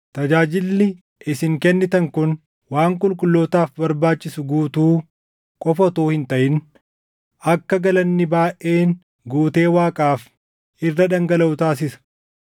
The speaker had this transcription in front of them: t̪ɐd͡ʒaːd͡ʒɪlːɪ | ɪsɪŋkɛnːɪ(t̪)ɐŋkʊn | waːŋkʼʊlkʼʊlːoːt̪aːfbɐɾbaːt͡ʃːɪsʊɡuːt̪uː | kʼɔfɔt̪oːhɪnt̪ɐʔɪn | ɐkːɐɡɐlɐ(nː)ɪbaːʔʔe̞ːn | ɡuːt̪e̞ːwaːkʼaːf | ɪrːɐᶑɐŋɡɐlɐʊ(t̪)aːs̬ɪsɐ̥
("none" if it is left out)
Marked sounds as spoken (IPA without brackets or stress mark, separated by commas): t̪, nː, t̪